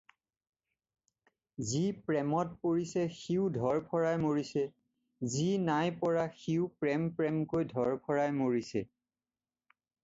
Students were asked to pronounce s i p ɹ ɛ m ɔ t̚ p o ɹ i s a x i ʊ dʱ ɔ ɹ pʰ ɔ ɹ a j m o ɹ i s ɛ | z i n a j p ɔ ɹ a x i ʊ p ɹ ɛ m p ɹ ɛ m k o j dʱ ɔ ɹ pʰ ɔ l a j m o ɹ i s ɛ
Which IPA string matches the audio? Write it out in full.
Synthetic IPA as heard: z i p ɹ ɛ m ɔ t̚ p o ɹ i s ɛ x i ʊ dʱ ɔ ɹ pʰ ɔ ɹ a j m o ɹ i s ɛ | z i n a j p ɔ ɹ a x i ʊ p ɹ ɛ m p ɹ ɛ m k o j dʱ ɔ ɹ pʰ ɔ ɹ a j m o ɹ i s ɛ